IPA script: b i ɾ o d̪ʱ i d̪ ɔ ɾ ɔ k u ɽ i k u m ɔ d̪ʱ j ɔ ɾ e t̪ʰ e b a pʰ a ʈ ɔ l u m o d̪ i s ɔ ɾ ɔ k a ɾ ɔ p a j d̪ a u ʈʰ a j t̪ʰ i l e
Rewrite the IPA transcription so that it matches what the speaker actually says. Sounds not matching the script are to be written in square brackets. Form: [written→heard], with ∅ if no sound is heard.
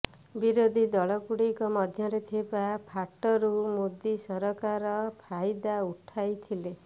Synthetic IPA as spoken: b i ɾ o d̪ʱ i d̪ ɔ [ɾ→ɭ] ɔ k u ɽ i k [u→ɔ] m ɔ d̪ʱ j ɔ ɾ e t̪ʰ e b a pʰ a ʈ ɔ [l→ɾ] u m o d̪ i s ɔ ɾ ɔ k a ɾ ɔ [p→pʰ] a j d̪ a u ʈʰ a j t̪ʰ i l e